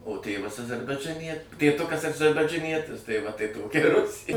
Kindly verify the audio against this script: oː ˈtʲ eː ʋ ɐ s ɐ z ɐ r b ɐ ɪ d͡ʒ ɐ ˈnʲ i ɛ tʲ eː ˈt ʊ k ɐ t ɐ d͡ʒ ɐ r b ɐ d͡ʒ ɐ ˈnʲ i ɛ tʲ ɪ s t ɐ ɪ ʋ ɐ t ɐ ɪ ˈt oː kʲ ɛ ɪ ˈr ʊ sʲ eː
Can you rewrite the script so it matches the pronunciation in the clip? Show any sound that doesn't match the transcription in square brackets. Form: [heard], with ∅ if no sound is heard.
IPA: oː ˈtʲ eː ʋ ɐ s ɐ z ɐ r b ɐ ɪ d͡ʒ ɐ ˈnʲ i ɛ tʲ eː ˈt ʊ k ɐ [s] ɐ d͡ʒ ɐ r b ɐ d͡ʒ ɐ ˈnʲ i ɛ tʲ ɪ s t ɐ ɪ ʋ ɐ t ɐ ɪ ˈt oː kʲ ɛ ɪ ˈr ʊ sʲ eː